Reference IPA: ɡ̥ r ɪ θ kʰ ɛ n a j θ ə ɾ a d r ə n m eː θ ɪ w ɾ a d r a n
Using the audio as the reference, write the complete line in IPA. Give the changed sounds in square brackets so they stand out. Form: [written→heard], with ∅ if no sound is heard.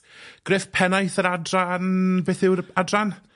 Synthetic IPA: ɡ̥ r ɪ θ [kʰ→pʰ] ɛ n a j θ ə ɾ a d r [ə→a] n [m→b] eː θ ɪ w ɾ a d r a n